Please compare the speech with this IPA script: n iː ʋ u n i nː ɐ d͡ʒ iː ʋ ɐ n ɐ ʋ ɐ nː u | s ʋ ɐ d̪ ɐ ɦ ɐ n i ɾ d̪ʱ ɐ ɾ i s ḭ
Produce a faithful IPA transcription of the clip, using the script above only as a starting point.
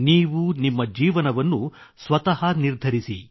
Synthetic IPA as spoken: n iː ʋ u n i mː ɐ d͡ʒ iː ʋ ɐ n ɐ ʋ ɐ nː u | s ʋ ɐ t̪ ɐ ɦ ɐ n i ɾ d̪ʱ ɐ ɾ i s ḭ